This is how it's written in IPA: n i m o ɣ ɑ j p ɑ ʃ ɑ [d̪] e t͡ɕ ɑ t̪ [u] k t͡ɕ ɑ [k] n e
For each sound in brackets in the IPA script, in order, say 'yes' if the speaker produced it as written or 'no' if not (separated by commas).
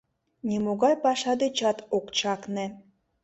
yes, no, yes